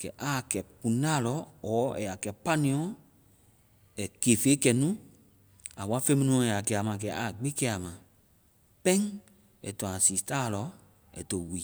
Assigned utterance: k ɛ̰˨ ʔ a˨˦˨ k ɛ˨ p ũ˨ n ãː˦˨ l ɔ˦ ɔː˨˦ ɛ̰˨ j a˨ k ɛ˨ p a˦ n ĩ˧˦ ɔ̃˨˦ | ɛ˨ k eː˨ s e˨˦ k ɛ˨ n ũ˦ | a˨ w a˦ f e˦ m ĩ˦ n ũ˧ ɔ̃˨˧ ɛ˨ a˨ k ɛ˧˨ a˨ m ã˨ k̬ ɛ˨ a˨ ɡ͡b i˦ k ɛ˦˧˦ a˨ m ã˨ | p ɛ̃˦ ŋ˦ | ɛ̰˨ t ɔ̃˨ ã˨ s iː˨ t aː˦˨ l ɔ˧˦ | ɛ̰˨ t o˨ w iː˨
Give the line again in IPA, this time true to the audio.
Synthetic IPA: k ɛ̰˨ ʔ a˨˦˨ k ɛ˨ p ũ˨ n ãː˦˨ l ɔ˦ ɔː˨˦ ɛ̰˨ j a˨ k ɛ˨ p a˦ n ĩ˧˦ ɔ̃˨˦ | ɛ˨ k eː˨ f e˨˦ k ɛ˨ n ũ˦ | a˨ w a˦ f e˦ m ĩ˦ n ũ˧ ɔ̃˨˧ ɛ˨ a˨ k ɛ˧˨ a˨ m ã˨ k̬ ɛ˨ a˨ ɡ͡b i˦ k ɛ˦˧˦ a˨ m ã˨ | p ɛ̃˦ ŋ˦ | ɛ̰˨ t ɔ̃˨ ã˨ s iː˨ t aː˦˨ l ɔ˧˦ | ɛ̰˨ t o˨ w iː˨